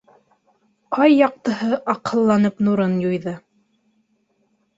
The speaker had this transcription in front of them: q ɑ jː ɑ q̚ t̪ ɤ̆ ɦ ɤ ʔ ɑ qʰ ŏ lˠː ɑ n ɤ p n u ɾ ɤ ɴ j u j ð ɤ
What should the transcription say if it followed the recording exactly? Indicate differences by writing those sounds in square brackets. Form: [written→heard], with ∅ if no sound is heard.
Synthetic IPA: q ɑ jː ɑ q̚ t̪ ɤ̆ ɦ ɤ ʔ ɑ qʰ [ŏ→ɤ̆] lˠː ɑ n ɤ p n u ɾ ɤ [ɴ→n] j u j ð ɤ

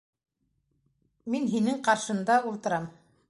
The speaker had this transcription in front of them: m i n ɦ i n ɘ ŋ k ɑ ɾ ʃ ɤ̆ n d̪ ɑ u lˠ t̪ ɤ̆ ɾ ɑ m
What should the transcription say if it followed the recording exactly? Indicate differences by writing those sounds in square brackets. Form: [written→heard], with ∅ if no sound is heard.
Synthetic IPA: m i n ɦ i n ɘ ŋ [k→q] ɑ ɾ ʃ ɤ̆ n d̪ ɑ u lˠ t̪ ɤ̆ ɾ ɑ m

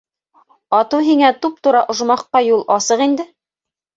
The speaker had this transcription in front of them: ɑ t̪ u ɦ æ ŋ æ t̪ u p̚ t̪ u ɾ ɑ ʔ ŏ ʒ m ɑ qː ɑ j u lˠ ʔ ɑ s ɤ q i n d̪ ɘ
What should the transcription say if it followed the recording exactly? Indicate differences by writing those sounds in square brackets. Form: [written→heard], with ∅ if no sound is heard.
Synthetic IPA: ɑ t̪ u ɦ [æ→i] ŋ æ t̪ u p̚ t̪ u ɾ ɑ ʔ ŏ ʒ m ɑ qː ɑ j u lˠ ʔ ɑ s ɤ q i n d̪ ɘ

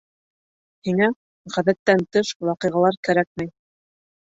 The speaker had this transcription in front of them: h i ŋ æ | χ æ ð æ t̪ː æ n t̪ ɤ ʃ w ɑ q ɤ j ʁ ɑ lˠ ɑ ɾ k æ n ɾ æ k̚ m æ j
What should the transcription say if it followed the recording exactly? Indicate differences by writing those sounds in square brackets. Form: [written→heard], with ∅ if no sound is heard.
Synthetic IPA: h i ŋ æ | [χ→ʁ] æ ð æ t̪ː æ n t̪ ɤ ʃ w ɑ q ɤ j ʁ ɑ lˠ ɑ ɾ k æ [n→∅] ɾ æ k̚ m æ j

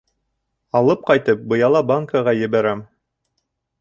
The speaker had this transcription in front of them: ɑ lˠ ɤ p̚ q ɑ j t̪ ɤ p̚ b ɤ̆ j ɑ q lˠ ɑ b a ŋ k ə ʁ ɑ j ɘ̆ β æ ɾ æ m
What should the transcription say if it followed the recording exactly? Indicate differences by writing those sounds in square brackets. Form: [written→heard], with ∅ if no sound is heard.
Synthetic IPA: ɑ lˠ ɤ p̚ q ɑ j t̪ ɤ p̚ b ɤ̆ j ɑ [q→∅] lˠ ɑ b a ŋ k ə ʁ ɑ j ɘ̆ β æ ɾ æ m

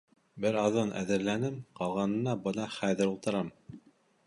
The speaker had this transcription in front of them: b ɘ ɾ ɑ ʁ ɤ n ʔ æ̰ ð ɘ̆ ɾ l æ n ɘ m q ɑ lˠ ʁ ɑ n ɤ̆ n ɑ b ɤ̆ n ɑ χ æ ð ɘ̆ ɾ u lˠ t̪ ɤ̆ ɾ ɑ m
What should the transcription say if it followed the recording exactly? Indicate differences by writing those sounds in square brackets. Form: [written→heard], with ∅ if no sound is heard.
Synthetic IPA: b ɘ ɾ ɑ [ʁ→ð] ɤ n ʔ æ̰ ð ɘ̆ ɾ l æ n ɘ m q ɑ lˠ ʁ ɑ n ɤ̆ n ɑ b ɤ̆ n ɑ χ æ ð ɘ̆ ɾ u lˠ t̪ ɤ̆ ɾ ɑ m

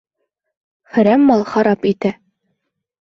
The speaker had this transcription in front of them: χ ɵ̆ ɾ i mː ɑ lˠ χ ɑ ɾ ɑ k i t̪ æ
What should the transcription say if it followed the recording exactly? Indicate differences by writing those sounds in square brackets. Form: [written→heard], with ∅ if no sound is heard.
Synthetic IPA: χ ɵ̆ ɾ [i→æ] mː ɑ lˠ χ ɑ ɾ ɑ [k→p] i t̪ æ

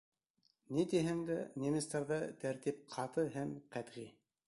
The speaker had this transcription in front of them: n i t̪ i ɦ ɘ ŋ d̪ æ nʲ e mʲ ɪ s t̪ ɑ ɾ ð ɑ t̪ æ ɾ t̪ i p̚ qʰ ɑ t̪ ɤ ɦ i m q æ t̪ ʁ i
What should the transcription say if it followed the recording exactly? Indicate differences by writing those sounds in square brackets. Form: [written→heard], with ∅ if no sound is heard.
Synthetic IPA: n i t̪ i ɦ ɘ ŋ d̪ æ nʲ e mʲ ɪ s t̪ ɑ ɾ ð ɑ t̪ æ ɾ t̪ i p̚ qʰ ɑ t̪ ɤ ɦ [i→æ] m q æ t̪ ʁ i

